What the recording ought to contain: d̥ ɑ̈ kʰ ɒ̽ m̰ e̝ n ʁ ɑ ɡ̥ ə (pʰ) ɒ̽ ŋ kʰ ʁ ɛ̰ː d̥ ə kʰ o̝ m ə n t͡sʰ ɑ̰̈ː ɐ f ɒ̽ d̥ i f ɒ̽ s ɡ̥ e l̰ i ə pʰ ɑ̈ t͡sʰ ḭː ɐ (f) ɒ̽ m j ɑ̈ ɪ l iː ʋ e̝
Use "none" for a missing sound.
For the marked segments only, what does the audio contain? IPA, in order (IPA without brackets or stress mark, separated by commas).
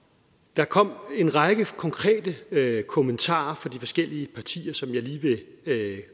kʰ, s